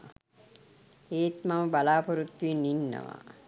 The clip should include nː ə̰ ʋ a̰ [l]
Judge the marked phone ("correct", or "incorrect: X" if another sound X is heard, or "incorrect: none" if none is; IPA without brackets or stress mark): incorrect: none